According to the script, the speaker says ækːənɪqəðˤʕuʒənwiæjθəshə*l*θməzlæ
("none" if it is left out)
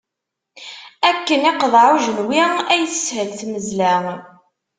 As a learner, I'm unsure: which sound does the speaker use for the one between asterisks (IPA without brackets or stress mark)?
l